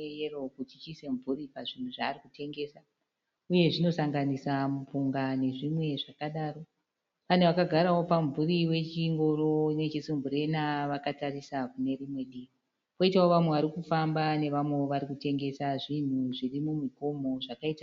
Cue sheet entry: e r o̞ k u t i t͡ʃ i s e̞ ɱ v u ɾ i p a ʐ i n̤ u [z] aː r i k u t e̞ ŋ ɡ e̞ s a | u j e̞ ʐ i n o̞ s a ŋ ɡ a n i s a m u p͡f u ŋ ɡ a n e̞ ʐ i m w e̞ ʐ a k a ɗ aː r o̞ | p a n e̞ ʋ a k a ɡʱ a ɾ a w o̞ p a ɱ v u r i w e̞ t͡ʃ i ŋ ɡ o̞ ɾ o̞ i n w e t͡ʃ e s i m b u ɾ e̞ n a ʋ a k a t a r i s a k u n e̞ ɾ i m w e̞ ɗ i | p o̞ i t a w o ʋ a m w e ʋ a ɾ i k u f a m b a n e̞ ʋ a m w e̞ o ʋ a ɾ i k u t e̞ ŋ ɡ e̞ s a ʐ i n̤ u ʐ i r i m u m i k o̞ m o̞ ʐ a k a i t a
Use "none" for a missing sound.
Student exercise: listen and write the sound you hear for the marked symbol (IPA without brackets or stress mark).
ʐ